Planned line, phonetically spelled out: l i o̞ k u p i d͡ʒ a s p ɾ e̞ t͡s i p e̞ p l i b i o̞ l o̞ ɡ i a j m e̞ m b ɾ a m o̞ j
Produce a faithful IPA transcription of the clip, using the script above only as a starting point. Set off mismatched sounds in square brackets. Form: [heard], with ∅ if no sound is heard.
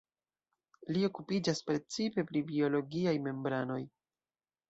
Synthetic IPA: l i o̞ k u p i d͡ʒ a s p ɾ e̞ t͡s i p e̞ p [ɾ] i b i o̞ l o̞ ɡ i a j m e̞ m b ɾ a [n] o̞ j